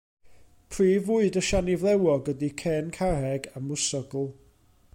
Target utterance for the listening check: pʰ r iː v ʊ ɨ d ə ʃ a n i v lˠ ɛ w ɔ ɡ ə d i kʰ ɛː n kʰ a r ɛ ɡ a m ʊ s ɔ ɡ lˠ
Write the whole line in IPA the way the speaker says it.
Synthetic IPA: pʰ r iː v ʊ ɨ d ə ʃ a n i v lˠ ɛ w ɔ ɡ ə d i kʰ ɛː n kʰ a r ɛ ɡ a m ʊ s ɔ ɡ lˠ